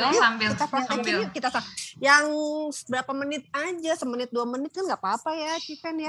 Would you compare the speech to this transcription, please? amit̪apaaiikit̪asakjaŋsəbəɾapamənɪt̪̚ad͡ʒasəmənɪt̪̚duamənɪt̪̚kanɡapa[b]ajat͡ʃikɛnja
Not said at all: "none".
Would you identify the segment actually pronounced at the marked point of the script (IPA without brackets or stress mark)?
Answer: p